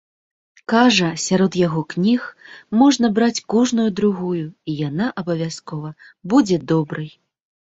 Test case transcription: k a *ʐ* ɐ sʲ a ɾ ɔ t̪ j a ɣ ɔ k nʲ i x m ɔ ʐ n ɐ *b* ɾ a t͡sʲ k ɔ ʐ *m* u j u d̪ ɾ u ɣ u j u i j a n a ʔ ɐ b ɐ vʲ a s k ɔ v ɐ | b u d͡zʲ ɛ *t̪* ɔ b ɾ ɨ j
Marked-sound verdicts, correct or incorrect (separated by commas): correct, correct, incorrect, incorrect